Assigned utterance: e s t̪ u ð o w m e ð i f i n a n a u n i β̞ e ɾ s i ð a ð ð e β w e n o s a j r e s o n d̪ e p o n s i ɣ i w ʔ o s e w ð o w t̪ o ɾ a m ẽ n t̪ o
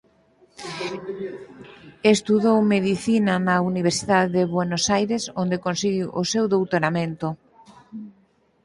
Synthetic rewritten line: e s t̪ u ð o w m e ð i θ i n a n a u n i β̞ e ɾ s i ð a ð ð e β w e n o s a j ɾ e s o n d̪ e k o n s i ɣ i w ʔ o s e w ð o w t̪ o ɾ a m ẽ n t̪ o